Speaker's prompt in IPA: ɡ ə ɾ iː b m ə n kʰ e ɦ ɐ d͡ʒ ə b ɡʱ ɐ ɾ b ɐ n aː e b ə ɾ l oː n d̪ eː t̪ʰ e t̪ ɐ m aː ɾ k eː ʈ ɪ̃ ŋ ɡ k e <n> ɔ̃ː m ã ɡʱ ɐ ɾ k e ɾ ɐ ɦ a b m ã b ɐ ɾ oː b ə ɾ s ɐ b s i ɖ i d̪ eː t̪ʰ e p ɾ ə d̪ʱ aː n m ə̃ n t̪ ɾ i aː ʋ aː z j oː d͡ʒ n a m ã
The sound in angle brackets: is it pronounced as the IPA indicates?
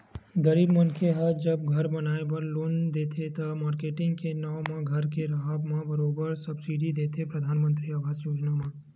yes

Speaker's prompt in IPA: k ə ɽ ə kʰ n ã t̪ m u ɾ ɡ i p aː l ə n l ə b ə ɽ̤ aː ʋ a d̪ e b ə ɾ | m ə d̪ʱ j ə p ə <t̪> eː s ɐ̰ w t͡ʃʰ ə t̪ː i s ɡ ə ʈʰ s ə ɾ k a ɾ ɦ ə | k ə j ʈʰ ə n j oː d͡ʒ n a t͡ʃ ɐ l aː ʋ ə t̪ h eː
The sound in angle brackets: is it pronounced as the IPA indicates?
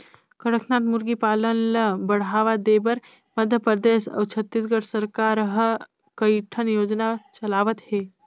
no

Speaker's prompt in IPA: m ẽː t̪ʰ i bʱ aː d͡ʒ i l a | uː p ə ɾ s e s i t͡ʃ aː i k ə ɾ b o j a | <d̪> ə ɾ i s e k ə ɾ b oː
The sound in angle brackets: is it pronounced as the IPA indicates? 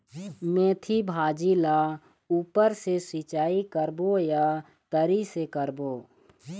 no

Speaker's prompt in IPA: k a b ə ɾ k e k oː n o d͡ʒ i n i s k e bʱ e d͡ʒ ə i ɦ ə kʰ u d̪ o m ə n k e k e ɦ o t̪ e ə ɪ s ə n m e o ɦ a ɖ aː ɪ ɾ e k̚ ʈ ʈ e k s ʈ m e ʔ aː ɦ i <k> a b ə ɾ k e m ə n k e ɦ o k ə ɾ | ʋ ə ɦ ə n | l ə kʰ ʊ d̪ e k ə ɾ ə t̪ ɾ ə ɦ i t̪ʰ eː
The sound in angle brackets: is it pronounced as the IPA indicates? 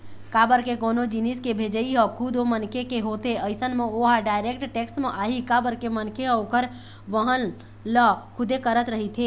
yes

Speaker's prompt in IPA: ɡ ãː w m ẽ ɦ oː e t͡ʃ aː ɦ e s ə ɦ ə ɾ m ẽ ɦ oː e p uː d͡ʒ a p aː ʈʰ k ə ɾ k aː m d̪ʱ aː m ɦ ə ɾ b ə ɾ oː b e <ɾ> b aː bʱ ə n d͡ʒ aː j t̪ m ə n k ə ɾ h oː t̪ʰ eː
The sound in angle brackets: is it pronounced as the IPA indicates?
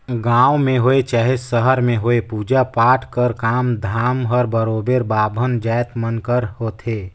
yes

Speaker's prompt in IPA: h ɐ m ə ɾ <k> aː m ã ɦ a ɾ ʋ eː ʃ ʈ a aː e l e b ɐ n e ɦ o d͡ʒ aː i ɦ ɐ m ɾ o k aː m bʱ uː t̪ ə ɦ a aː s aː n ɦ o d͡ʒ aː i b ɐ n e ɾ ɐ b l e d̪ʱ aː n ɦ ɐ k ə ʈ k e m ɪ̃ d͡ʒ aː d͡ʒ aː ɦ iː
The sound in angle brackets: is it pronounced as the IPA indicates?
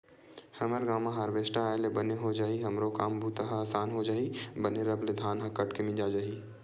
no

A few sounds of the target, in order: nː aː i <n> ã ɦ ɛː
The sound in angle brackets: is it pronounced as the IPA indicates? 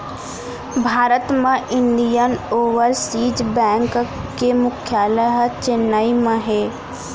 no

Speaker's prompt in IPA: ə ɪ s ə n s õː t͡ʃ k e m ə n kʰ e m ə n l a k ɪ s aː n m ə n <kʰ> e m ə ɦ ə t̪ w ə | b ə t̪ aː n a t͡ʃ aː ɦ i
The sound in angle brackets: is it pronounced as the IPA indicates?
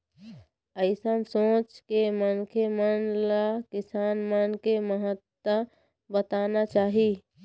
no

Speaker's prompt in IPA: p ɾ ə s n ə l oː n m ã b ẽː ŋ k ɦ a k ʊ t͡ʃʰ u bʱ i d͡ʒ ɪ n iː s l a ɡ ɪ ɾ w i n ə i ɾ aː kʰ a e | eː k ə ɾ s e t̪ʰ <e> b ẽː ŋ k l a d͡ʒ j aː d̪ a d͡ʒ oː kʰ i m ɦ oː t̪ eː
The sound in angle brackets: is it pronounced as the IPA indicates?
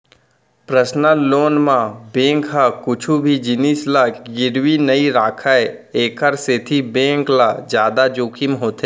no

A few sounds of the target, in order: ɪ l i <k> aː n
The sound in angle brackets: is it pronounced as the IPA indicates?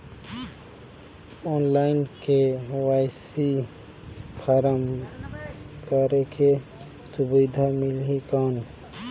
yes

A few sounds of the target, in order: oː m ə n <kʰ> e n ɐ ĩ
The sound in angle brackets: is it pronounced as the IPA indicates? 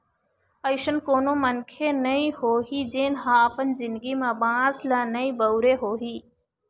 yes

